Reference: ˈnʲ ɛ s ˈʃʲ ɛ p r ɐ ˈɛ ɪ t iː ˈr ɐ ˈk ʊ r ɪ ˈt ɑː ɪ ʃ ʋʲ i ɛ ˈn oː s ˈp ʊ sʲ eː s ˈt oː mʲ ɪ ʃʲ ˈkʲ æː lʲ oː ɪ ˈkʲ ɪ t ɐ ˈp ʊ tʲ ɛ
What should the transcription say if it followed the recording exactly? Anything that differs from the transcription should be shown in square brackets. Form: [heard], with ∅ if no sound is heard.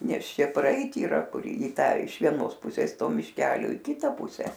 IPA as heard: ˈnʲ ɛ s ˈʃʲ ɛ p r ɐ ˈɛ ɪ t iː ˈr ɐ ˈk ʊ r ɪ ˈt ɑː ɪ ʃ ʋʲ i ɛ ˈn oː s ˈp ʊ sʲ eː s ˈt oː mʲ ɪ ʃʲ ˈkʲ æː lʲ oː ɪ ˈkʲ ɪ t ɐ ˈp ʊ [sʲ] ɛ